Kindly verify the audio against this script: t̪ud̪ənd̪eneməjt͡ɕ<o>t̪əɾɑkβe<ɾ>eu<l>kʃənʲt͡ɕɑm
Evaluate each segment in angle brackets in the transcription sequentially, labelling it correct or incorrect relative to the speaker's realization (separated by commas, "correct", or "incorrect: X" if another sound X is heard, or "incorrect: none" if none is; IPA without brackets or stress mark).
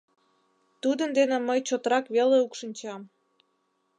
correct, incorrect: l, incorrect: none